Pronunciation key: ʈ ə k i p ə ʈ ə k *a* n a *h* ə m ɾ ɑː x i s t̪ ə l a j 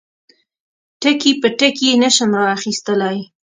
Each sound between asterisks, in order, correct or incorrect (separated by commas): incorrect, incorrect